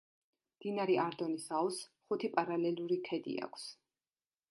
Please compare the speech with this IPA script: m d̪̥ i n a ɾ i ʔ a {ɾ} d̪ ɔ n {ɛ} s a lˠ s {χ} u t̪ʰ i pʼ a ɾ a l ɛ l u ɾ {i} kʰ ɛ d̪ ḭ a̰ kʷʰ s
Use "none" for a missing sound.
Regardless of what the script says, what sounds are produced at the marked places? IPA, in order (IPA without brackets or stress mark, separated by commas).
ɾ, i, χ, i